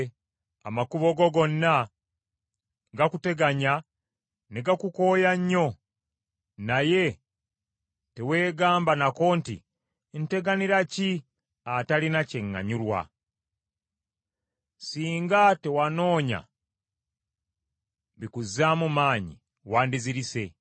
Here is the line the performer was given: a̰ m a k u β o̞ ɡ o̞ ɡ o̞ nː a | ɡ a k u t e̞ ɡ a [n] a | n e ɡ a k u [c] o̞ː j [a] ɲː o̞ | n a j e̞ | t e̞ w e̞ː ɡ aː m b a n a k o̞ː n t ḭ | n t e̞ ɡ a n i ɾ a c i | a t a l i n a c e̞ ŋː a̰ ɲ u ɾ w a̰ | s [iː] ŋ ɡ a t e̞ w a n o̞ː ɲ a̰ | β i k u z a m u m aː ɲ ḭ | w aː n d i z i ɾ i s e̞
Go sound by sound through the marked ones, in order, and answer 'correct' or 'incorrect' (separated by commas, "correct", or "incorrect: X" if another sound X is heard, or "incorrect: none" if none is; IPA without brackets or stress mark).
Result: incorrect: ɲ, incorrect: k, correct, correct